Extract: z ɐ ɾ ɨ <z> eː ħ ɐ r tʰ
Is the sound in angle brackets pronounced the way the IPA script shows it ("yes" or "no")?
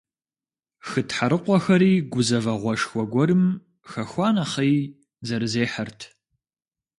yes